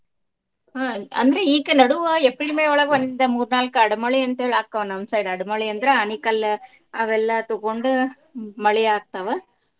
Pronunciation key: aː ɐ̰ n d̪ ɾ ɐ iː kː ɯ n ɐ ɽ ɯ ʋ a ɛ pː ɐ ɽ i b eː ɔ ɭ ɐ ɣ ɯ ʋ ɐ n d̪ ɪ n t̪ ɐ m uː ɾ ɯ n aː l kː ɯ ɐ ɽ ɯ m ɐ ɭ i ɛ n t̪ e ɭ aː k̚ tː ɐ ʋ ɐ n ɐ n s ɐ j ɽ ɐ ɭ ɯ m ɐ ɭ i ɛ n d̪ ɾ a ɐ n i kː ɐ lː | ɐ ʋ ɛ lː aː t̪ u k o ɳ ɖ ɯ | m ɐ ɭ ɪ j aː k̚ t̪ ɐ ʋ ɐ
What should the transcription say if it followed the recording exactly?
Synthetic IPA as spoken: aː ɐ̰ n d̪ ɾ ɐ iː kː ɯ n ɐ ɽ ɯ ʋ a ɛ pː ɐ ɽ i m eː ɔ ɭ ɐ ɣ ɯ ʋ ɐ n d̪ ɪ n d̪ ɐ m uː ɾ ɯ n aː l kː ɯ ɐ ɽ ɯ m ɐ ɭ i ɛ n t̪ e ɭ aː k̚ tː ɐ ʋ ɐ n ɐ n s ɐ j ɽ ɐ ɽ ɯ m ɐ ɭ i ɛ n d̪ ɾ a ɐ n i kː ɐ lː | ɐ ʋ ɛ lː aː t̪ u k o ɳ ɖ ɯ | m ɐ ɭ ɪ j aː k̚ t̪ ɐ ʋ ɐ